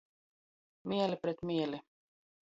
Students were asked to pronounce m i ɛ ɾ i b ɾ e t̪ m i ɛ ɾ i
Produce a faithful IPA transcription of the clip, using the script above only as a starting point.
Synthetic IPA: m i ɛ l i p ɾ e t̪ m i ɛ l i